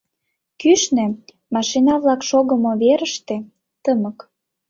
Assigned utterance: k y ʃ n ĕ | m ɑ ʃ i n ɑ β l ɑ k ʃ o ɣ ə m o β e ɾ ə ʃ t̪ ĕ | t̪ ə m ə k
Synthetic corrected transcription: k y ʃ n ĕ | m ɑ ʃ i n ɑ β l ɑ k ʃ o ɣ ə m o β e ɾ ə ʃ t̪ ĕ | t̪ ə m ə k